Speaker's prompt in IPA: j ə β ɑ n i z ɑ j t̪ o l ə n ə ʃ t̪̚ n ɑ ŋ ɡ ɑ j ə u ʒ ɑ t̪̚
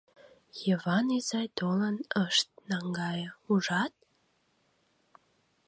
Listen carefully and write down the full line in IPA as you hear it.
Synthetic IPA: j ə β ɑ n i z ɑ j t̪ o l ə n ə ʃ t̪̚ n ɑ ŋ ɡ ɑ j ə u ʒ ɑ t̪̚

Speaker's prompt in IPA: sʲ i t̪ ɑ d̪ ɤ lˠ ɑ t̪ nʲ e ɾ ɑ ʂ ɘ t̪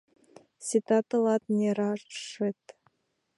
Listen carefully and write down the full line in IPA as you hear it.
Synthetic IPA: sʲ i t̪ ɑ t̪ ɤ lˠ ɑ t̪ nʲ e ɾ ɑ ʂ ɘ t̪

